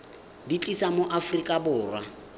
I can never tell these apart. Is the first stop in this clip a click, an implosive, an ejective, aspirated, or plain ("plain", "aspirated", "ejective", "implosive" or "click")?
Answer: plain